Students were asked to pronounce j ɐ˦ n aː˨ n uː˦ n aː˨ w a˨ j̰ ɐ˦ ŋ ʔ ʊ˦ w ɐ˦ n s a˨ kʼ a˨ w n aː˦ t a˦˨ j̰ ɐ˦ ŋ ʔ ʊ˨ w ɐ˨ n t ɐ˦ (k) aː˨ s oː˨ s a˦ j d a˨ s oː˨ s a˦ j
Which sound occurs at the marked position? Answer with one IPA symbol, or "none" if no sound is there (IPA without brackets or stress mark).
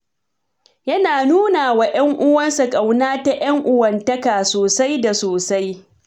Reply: k